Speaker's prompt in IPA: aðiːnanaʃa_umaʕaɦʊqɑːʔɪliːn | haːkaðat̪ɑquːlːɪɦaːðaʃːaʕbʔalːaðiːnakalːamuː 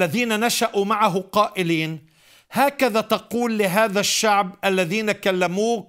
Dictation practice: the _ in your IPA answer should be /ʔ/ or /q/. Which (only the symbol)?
ʔ